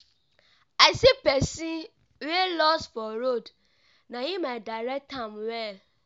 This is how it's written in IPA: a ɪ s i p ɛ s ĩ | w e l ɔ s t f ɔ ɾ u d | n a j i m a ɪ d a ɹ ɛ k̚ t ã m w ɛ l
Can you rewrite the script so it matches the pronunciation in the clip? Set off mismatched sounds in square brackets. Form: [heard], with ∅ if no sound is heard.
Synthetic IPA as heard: a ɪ s i p ɛ s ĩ | w e l ɔ s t f ɔ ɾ [o] d | n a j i m a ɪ d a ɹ ɛ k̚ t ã m w ɛ l